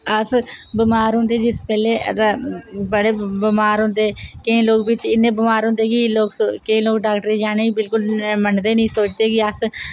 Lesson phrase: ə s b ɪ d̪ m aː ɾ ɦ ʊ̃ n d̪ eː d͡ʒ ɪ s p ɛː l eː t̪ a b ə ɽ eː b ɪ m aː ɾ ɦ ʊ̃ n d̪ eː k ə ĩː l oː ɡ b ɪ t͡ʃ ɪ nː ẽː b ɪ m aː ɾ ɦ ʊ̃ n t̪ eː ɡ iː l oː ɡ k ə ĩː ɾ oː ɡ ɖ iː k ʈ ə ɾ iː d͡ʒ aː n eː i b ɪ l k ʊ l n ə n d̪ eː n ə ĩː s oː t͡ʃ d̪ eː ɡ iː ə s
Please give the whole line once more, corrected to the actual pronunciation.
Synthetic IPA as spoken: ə s b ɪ m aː ɾ ɦ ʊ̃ n d̪ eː d͡ʒ ɪ s p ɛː l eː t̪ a b ə ɽ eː b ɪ m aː ɾ ɦ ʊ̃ n d̪ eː k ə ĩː l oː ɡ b ɪ t͡ʃ ɪ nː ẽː b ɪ m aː ɾ ɦ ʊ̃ n d̪ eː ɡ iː l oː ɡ k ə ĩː l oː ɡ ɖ aː k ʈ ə ɾ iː d͡ʒ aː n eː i b ɪ l k ʊ l m ə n d̪ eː n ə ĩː s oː t͡ʃ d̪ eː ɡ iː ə s